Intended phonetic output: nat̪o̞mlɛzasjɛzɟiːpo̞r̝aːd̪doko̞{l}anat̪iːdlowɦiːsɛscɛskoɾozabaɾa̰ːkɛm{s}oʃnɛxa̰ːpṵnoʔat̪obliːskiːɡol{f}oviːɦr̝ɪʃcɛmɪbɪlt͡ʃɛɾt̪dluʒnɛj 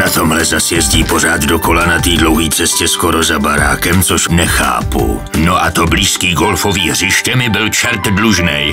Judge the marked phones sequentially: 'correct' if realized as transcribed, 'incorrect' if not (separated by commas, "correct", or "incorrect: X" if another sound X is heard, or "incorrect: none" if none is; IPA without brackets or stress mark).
correct, incorrect: t͡s, correct